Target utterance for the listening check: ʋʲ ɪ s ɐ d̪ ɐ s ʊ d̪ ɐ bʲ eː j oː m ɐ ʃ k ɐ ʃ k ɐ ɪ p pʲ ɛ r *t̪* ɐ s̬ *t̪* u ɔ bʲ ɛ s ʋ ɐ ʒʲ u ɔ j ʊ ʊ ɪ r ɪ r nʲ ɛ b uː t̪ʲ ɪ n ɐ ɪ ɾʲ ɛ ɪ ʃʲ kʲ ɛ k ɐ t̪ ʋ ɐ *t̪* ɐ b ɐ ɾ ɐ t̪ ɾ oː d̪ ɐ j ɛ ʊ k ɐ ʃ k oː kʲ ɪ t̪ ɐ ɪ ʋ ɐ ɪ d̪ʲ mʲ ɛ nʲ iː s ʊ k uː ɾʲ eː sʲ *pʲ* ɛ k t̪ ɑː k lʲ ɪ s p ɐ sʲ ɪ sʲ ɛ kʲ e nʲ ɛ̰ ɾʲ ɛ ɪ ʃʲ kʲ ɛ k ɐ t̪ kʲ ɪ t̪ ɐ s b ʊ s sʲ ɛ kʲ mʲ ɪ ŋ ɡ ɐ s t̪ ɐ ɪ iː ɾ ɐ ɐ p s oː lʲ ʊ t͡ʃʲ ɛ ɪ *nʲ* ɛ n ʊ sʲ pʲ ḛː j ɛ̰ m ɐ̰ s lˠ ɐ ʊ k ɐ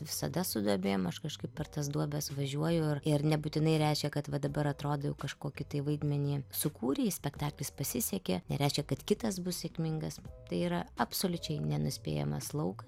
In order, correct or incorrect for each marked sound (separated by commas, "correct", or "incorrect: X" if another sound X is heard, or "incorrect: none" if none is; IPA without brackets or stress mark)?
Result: correct, incorrect: d̪, incorrect: d̪, correct, correct